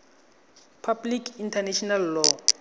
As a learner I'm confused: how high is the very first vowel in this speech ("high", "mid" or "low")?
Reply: low